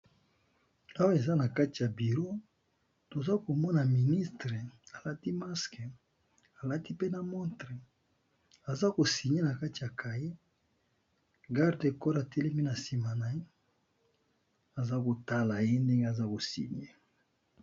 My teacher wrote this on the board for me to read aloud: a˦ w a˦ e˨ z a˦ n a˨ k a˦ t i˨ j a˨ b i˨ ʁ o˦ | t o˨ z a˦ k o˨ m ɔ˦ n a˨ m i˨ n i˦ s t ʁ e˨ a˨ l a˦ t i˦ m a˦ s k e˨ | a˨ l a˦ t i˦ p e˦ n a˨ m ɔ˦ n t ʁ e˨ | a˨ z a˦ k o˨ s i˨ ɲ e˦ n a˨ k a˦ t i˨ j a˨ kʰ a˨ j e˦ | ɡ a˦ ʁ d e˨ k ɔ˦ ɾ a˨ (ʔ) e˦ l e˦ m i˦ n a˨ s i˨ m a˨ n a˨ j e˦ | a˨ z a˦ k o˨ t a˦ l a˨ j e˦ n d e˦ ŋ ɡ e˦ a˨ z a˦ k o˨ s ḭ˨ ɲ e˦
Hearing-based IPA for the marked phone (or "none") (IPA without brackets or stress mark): t